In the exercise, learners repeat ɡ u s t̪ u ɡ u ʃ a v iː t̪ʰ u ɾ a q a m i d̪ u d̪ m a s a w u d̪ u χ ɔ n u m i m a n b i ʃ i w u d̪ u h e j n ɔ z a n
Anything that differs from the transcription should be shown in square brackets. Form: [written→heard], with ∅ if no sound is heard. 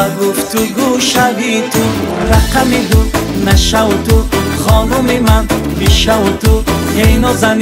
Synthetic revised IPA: ɡ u [s→f] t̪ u ɡ u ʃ a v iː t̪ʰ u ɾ a q a m i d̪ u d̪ [m→n] a [s→ʃ] a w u [d̪→t̪] u χ ɔ n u m i m a n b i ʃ [i→a] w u [d̪→t̪] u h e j n ɔ z a n